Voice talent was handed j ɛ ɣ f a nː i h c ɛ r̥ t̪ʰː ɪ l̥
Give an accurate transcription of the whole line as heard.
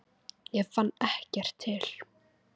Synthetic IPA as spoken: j ɛ ɣ f a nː ɛ h c ɛ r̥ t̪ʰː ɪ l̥